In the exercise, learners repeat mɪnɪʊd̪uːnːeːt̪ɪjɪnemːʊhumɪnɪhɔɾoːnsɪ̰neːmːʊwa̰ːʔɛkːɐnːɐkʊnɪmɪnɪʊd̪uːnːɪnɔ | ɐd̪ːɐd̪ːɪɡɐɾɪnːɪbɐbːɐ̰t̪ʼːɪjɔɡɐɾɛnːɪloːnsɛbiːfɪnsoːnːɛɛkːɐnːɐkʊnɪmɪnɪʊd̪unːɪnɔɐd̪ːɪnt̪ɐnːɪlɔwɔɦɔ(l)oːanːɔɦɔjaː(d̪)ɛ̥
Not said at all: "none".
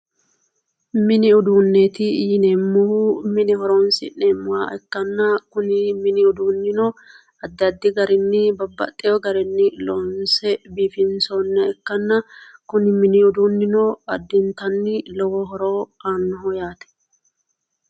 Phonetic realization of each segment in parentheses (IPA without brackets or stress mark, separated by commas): ɾ, t̪